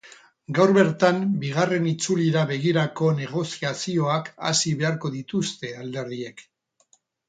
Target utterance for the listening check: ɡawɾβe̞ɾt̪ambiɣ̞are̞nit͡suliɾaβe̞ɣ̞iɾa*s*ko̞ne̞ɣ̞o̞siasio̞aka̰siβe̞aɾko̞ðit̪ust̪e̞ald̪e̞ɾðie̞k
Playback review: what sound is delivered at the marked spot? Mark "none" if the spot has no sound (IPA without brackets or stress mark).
none